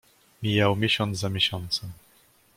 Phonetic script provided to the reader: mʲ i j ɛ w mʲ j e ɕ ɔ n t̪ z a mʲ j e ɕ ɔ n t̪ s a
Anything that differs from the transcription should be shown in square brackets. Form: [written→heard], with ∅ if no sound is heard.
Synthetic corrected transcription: mʲ i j [ɛ→a] w mʲ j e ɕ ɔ n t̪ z a mʲ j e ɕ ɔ n t̪ s [a→ɛ]